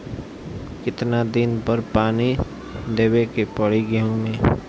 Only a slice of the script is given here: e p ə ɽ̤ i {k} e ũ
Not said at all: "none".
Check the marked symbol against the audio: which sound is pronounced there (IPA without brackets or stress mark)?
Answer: ɡ